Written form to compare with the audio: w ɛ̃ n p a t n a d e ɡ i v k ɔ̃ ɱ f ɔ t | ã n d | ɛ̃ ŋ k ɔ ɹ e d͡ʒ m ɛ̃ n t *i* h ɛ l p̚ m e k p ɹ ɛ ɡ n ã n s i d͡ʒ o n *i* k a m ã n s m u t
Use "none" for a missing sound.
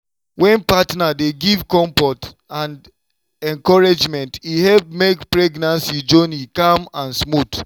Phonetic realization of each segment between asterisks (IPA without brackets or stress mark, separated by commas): i, i